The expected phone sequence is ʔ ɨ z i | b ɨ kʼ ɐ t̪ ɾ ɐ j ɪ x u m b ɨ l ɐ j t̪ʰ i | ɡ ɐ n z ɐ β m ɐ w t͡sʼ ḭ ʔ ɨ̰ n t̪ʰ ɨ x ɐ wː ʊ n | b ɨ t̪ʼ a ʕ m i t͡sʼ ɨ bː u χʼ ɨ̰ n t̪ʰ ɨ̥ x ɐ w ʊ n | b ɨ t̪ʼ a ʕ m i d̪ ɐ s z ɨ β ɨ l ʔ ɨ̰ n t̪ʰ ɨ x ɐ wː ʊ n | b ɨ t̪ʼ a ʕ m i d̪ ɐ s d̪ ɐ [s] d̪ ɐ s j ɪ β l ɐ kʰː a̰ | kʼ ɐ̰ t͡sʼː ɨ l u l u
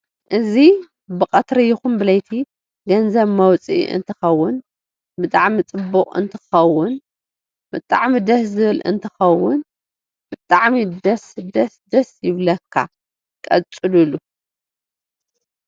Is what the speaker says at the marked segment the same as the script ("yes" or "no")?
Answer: yes